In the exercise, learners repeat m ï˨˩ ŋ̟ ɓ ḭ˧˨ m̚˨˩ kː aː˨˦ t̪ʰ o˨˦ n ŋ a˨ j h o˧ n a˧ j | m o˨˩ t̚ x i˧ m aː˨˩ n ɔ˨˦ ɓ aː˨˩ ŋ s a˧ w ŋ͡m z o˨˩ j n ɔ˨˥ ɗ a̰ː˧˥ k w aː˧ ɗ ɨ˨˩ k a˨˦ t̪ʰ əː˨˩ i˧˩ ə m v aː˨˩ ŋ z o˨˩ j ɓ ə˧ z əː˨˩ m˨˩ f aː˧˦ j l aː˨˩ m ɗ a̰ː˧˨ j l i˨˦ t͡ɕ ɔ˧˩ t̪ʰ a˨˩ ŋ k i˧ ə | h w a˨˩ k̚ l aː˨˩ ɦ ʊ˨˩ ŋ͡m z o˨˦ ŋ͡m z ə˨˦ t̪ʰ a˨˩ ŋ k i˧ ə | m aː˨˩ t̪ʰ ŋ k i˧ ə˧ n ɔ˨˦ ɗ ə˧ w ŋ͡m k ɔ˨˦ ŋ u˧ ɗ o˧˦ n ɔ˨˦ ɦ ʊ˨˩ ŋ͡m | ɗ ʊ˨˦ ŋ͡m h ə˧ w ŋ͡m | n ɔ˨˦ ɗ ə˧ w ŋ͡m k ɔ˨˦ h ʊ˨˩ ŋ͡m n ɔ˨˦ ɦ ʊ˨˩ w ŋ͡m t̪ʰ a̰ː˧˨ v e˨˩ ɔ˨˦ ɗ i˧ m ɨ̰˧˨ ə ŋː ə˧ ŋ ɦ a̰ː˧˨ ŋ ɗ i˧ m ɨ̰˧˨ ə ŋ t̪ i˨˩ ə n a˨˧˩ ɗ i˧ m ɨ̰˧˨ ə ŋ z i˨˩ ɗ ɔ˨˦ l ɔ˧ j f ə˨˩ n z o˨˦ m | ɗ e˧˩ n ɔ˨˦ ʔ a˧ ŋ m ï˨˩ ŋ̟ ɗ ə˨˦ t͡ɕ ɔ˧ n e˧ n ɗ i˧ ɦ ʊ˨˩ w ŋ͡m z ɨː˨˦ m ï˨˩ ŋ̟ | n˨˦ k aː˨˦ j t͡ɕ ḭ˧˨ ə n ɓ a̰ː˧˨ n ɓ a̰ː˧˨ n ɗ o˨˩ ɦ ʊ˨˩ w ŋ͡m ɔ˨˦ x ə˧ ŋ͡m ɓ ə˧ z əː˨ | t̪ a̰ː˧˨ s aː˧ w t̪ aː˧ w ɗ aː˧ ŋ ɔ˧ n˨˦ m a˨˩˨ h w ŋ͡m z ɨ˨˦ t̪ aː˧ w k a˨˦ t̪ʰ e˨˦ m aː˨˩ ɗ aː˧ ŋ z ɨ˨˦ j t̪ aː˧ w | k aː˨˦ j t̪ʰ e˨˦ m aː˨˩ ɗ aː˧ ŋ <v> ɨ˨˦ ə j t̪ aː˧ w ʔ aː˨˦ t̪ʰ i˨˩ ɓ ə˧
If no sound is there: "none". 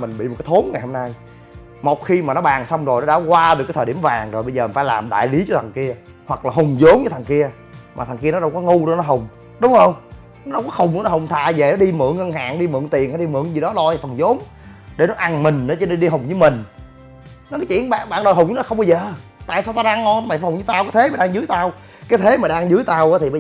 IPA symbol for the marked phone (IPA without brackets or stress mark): z